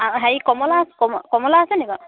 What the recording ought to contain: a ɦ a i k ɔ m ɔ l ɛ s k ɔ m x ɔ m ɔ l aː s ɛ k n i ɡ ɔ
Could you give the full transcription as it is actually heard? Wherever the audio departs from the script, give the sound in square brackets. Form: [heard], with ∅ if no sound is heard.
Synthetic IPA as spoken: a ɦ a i k ɔ m ɔ l [a] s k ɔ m [k] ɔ m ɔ l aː s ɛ [∅] n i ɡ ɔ